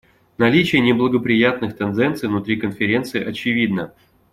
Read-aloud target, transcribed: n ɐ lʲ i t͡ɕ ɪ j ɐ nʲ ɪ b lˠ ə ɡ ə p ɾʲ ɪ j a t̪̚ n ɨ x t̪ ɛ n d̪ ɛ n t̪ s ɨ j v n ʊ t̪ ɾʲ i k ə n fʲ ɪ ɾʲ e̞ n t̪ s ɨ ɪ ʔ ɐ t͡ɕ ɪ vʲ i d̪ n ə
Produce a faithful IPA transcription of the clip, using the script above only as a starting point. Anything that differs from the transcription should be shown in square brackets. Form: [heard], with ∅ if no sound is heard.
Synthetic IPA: n ɐ lʲ i t͡ɕ ɪ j [ə] nʲ ɪ b lˠ ə ɡ ə p ɾʲ ɪ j a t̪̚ n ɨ x t̪ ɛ n d̪ ɛ n t̪ s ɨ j v n ʊ t̪ ɾʲ i k ə n fʲ ɪ ɾʲ e̞ n t̪ s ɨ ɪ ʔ ɐ t͡ɕ ɪ vʲ i d̪ n ə